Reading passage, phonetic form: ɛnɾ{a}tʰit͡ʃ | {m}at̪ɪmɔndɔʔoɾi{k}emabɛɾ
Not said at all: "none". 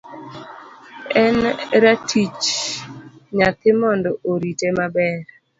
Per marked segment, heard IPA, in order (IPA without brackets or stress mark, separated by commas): a, ɲ, t